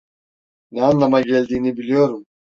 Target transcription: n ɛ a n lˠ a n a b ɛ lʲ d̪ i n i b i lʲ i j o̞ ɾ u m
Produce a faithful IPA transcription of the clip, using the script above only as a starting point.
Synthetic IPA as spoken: n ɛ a n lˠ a m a ɟ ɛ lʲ d̪ iː n i b i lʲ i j o̞ ɾ u m